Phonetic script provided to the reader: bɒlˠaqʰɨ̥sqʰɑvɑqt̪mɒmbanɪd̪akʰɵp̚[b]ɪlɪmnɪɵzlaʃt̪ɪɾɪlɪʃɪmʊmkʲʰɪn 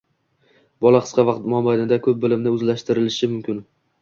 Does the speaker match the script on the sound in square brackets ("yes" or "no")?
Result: yes